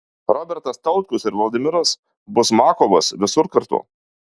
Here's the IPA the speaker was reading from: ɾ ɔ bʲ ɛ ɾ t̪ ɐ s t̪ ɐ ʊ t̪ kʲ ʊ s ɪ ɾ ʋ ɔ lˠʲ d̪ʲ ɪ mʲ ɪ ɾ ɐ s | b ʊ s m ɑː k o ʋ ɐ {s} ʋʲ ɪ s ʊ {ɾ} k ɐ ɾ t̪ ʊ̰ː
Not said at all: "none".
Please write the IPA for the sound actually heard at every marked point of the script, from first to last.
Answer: s, ɾ

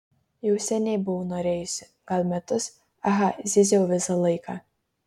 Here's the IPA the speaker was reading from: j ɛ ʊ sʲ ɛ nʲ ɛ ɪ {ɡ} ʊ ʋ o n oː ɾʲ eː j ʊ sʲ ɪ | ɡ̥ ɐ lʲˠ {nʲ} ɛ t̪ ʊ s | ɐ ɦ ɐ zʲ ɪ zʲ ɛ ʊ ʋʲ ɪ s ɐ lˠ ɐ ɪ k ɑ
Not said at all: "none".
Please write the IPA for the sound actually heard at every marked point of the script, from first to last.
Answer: b, mʲ

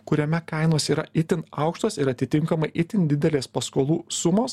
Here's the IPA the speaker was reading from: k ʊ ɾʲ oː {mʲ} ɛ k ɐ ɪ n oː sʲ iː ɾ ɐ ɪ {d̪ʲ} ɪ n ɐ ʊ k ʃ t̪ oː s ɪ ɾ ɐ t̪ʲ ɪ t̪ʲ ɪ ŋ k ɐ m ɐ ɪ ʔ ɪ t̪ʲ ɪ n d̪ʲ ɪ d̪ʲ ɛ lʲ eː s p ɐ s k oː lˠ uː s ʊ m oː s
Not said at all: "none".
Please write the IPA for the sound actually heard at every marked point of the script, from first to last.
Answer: mʲ, t̪ʲ

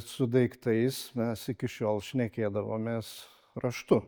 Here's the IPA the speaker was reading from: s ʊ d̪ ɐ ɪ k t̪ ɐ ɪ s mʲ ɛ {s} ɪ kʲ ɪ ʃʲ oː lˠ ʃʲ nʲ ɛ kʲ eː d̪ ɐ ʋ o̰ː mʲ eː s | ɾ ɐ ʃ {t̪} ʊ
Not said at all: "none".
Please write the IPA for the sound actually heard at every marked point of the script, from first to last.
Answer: s, t̪

